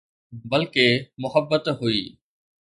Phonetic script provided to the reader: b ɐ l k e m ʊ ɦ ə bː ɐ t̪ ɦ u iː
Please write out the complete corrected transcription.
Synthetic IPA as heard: b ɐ l k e m ʊ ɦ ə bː ə t̪ ɦ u iː